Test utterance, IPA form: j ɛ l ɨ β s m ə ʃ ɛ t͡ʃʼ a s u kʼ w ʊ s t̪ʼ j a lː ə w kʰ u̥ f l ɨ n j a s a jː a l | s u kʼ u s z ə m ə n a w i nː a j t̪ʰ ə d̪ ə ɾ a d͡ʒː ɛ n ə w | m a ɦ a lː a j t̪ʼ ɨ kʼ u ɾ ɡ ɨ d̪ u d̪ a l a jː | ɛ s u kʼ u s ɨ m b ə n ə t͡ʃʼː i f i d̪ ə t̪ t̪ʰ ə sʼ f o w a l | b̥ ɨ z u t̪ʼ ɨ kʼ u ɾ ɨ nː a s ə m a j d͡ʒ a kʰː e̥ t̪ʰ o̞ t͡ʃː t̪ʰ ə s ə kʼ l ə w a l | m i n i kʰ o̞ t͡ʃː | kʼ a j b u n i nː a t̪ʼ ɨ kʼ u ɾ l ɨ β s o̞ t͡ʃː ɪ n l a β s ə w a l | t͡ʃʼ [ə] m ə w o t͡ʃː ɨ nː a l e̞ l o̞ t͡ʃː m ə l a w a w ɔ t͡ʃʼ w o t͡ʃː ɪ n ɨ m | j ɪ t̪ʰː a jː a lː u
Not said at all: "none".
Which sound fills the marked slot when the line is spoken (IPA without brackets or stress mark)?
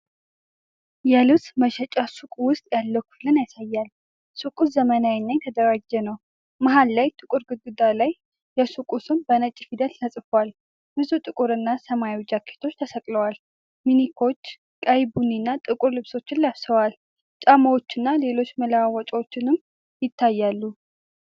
a